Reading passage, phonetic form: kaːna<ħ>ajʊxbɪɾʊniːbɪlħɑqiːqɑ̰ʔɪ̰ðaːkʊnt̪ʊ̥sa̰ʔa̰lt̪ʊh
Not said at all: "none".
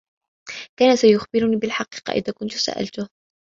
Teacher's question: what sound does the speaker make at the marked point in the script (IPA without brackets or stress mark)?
s